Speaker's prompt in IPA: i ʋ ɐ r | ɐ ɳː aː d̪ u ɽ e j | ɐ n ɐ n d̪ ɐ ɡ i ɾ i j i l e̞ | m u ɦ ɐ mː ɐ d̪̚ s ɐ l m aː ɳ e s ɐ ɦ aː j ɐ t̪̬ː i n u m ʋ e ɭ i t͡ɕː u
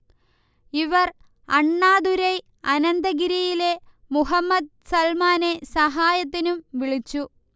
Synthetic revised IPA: i ʋ ɐ r | ɐ ɳː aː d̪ u ɾ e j | ɐ n ɐ n d̪ ɐ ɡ i ɾ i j i l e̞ | m u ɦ ɐ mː ɐ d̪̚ s ɐ l m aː n e s ɐ ɦ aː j ɐ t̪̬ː i n u m ʋ i ɭ i t͡ɕː u